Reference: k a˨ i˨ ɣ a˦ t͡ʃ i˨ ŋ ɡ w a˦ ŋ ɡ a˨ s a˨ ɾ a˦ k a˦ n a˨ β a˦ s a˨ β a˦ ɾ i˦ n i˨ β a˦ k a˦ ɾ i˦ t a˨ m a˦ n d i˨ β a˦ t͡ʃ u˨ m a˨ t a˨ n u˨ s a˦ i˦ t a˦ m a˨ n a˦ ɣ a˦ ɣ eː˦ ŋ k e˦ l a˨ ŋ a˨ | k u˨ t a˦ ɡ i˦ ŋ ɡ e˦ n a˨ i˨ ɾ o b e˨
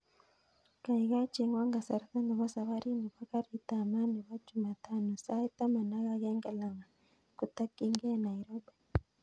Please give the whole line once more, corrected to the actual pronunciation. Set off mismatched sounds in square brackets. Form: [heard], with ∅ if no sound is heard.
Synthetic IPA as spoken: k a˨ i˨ ɣ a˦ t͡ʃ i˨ ŋ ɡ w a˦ ŋ ɡ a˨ s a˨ ɾ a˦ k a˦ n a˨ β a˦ s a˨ β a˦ ɾ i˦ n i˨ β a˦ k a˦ ɾ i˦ t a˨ m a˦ n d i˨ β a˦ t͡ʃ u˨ m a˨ t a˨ n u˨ s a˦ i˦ t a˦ m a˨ n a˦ ɣ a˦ ɣ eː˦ ŋ [ɡ] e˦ l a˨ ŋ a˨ | k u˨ t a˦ [k] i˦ ŋ ɡ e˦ n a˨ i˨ ɾ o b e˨